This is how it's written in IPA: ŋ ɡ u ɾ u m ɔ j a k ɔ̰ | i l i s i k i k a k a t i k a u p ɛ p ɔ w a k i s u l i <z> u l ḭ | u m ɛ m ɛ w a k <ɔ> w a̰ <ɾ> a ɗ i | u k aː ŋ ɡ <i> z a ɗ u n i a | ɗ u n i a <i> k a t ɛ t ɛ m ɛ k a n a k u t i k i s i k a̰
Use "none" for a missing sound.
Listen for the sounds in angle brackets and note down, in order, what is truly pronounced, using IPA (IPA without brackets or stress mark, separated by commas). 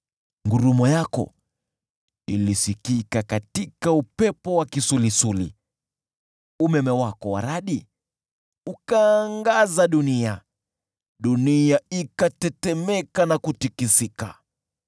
s, ɔ, ɾ, a, i